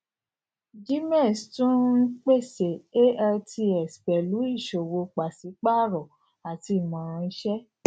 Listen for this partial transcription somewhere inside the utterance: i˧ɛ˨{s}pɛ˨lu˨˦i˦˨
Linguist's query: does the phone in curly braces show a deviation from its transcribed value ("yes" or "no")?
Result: no